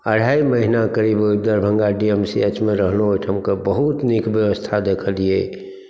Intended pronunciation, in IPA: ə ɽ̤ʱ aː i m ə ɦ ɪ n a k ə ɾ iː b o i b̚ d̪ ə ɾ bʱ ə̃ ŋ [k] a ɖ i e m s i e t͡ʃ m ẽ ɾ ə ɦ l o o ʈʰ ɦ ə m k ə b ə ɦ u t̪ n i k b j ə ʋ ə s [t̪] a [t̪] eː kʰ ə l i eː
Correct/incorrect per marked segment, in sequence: incorrect, incorrect, incorrect

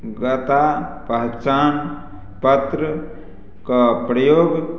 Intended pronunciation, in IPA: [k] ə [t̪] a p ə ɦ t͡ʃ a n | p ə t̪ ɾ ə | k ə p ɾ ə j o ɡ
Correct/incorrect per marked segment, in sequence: incorrect, correct

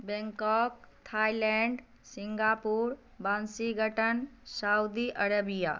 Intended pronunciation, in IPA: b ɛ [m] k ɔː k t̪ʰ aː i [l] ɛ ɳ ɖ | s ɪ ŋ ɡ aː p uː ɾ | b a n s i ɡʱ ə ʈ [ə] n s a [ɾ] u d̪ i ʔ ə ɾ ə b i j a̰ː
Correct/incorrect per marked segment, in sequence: incorrect, correct, correct, incorrect

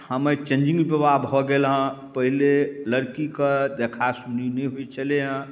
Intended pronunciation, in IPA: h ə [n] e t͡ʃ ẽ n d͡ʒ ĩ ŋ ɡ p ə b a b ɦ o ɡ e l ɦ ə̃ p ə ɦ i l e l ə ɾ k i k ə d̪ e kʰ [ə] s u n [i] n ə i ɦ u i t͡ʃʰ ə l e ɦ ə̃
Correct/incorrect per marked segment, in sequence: incorrect, incorrect, correct

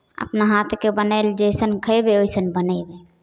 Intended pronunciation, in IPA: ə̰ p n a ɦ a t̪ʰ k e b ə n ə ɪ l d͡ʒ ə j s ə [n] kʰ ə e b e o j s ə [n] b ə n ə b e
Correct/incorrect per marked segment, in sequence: correct, correct

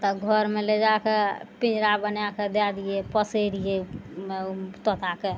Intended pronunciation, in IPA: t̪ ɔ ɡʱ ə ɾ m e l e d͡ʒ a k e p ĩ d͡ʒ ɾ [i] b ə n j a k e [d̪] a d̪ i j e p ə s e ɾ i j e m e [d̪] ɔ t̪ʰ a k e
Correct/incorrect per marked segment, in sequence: incorrect, correct, incorrect

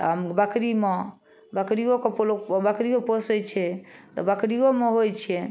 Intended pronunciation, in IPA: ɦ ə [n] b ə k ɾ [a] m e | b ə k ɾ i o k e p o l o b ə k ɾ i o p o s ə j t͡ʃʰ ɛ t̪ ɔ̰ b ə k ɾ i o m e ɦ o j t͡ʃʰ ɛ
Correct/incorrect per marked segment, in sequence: incorrect, incorrect

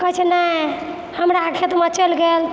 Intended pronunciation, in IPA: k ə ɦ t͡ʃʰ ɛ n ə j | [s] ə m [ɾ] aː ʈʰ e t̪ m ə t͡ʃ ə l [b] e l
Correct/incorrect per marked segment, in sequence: incorrect, correct, incorrect

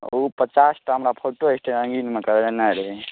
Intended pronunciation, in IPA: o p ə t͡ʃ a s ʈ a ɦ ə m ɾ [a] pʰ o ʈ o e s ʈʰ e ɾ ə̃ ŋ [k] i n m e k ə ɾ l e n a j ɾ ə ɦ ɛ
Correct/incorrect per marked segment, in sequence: correct, incorrect

